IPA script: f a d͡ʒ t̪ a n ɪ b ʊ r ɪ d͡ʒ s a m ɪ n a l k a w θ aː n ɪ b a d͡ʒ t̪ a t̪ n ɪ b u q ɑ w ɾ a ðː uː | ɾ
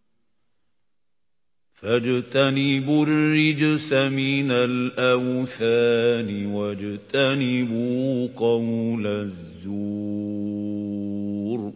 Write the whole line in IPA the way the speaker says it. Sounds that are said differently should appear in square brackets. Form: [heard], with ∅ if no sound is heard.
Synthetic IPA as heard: f a d͡ʒ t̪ a n ɪ b ʊ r ɪ d͡ʒ s a m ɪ n a l [ʔ] a w θ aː n ɪ [w] a d͡ʒ t̪ a [∅] n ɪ b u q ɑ w [l] a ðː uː | ɾ